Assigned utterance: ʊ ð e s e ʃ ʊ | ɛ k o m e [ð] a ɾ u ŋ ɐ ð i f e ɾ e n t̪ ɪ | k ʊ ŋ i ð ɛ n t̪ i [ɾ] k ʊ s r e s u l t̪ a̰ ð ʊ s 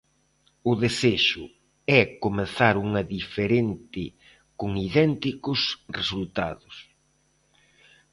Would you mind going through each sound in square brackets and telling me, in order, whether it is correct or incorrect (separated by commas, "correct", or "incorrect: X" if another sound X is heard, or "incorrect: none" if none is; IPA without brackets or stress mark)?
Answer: incorrect: θ, incorrect: none